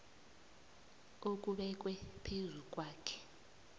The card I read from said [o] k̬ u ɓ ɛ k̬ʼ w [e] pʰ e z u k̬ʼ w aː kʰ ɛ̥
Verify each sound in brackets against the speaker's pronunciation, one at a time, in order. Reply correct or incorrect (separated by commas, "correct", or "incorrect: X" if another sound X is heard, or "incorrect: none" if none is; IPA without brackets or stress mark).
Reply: correct, incorrect: ɛ